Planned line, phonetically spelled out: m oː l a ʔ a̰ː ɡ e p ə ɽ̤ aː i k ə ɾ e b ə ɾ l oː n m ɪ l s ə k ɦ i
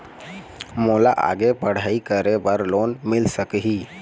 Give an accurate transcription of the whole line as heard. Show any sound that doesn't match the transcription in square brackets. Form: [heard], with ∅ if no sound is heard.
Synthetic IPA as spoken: m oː l a ʔ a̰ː ɡ e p ə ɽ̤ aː i k ə ɾ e b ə ɾ l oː n m ɪ l s ə k ɦ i

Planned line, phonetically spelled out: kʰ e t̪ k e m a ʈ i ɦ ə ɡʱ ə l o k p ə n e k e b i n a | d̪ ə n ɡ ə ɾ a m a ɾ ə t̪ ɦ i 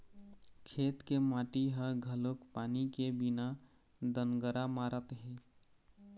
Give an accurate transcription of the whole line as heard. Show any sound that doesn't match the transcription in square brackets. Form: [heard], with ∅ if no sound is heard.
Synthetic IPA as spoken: kʰ e t̪ k e m a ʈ i ɦ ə ɡʱ ə l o k p [a] n [i] k e b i n a | d̪ ə n ɡ ə ɾ a m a ɾ ə t̪ ɦ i

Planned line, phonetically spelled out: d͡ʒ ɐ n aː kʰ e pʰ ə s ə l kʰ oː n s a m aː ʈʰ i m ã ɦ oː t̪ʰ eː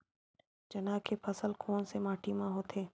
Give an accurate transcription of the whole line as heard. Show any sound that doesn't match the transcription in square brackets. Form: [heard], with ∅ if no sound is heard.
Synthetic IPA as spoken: d͡ʒ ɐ n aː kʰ e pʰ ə s ə l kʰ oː n s [e] m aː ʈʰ i m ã ɦ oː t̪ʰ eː

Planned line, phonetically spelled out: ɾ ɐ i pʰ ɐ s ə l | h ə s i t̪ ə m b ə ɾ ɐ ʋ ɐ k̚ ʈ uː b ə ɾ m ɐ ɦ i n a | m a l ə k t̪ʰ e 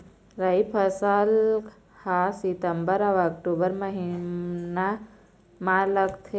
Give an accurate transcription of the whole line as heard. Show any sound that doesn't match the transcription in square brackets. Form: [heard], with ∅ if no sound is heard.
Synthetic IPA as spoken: ɾ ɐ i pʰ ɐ s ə l | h [a] s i t̪ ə m b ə ɾ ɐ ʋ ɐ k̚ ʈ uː b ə ɾ m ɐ ɦ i n a | m a l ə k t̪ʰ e

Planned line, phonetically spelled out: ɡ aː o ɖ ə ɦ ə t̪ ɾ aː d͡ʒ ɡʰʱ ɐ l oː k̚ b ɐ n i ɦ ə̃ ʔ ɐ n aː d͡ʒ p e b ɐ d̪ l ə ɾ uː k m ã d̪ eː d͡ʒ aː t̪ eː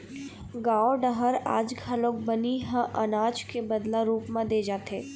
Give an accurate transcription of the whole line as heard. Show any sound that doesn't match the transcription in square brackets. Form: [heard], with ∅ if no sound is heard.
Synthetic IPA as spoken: ɡ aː o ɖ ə ɦ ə [∅] ɾ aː d͡ʒ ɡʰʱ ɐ l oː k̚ b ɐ n i ɦ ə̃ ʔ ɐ n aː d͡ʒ [k] e b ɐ d̪ l [a] ɾ uː [p] m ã d̪ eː d͡ʒ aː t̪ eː

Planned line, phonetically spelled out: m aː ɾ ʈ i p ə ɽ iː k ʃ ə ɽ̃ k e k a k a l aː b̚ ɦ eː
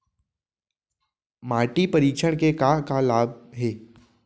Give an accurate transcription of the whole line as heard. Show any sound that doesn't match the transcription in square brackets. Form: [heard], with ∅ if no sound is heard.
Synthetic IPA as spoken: m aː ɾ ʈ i p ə [ɾ] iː k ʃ ə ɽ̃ k e k a k a l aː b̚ ɦ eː

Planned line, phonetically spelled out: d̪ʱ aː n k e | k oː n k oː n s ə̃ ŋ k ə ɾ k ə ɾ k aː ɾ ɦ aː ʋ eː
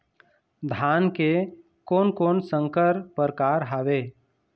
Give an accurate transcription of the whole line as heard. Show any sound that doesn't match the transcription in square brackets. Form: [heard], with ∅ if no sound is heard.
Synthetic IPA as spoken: d̪ʱ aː n k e | k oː n k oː n s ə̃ ŋ k ə ɾ [p] ə ɾ k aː ɾ ɦ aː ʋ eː

